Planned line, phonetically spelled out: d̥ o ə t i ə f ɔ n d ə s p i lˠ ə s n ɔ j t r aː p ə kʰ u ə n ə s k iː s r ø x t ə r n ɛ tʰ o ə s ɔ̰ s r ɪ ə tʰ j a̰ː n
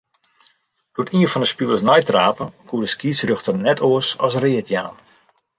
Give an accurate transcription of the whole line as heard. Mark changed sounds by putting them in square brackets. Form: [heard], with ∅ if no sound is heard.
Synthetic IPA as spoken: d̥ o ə t i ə f ɔ n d ə s p i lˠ ə s n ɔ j t r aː p ə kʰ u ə [d] ə s k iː s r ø x t ə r n ɛ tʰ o ə s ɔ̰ s r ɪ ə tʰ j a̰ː n